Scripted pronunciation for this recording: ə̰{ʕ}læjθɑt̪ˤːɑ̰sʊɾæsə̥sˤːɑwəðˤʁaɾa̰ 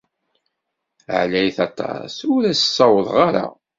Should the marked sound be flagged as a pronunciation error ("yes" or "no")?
no